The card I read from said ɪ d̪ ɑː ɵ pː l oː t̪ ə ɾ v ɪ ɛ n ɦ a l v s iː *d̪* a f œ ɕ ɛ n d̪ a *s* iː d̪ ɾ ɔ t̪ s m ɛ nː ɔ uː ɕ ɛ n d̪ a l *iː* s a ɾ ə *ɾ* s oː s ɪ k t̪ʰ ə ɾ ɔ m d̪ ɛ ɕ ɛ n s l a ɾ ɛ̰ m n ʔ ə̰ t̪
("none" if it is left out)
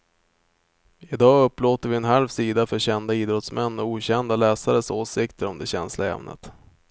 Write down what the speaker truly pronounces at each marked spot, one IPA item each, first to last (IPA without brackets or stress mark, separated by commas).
d̪, none, ɛː, none